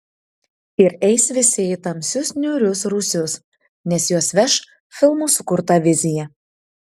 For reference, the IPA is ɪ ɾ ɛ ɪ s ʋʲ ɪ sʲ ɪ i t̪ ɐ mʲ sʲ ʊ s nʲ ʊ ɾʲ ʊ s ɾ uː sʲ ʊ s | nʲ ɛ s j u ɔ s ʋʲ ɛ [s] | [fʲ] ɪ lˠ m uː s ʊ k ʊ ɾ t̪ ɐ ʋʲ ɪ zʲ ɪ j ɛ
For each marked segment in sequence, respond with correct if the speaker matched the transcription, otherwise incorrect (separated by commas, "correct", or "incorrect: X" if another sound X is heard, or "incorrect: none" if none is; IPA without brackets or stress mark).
incorrect: ʃ, correct